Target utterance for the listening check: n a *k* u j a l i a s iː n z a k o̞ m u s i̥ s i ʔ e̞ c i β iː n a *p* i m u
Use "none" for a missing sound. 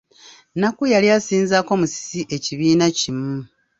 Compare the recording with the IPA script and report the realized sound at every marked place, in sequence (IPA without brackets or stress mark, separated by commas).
k, c